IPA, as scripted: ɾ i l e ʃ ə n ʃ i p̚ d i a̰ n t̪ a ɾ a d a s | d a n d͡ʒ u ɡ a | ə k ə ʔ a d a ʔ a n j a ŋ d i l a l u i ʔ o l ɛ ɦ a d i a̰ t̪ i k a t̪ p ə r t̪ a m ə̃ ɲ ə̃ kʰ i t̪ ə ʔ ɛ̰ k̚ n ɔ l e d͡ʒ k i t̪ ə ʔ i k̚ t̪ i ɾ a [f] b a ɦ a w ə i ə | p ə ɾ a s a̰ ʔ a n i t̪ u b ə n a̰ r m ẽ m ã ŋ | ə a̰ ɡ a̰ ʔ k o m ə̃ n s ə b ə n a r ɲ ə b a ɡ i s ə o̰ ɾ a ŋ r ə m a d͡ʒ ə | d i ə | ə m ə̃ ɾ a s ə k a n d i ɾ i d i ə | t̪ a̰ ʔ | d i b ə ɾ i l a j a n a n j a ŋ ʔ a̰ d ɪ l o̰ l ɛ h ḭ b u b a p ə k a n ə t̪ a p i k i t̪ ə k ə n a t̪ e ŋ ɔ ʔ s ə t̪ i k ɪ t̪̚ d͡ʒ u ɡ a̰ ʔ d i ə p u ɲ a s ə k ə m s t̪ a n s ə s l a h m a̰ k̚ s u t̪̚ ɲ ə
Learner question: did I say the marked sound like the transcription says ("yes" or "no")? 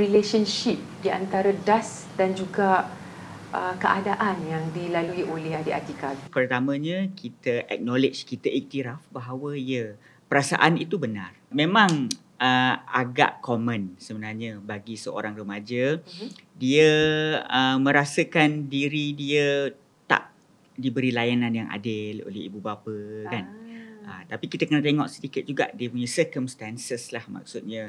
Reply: yes